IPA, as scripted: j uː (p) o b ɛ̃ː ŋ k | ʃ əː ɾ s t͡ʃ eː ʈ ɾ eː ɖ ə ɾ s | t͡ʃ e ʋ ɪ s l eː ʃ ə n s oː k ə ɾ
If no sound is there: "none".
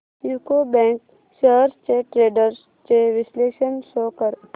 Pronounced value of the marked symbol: k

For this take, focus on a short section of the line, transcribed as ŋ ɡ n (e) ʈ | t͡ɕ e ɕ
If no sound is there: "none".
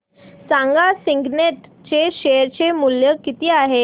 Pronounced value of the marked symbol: e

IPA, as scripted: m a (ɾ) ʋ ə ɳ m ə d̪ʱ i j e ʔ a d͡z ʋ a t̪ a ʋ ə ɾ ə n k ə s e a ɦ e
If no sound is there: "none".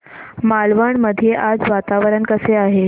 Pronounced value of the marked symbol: l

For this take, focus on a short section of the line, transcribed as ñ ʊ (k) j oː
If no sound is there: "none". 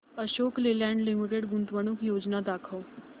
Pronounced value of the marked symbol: k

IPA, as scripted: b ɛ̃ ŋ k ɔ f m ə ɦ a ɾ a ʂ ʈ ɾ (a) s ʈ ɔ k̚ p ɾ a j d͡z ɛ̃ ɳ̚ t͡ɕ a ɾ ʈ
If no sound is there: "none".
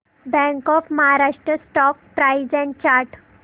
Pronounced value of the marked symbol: ə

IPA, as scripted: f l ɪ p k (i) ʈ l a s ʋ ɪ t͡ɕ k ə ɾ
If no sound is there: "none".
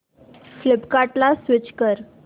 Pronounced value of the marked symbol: a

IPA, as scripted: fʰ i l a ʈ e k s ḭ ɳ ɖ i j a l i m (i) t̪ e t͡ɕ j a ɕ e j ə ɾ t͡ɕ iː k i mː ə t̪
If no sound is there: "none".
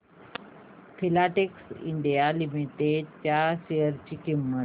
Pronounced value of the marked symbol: i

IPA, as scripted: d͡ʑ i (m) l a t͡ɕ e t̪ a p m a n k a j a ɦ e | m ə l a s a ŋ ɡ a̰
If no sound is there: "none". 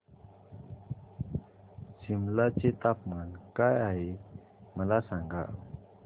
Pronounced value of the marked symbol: m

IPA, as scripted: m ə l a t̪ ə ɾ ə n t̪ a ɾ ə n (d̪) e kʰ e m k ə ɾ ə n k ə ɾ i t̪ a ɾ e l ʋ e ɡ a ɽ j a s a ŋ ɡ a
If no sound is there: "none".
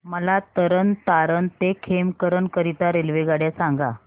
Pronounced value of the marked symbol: t̪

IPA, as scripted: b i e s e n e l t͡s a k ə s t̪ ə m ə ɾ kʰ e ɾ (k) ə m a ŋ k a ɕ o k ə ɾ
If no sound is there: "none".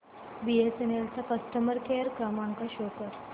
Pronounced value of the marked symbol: k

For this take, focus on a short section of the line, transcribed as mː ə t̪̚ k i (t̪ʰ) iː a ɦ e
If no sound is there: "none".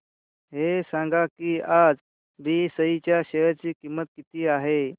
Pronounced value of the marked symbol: t̪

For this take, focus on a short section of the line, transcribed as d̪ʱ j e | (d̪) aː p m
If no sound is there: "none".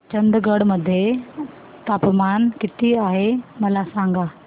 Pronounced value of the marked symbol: t̪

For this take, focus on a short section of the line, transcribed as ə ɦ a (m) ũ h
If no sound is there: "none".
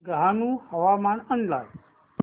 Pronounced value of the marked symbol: n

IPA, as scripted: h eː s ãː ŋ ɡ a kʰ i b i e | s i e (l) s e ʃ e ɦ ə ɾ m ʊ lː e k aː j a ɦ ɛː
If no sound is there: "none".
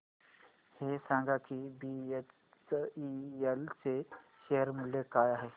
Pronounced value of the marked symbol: l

